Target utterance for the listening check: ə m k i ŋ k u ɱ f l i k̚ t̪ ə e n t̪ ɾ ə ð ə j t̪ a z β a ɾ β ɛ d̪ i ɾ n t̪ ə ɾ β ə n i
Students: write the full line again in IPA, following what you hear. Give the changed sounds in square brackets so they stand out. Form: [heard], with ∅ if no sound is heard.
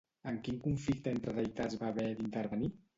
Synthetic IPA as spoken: ə [ŋ] k i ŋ k u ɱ f l i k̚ t̪ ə e n t̪ ɾ ə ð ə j t̪ a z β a [∅] β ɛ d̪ i [∅] n t̪ ə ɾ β ə n i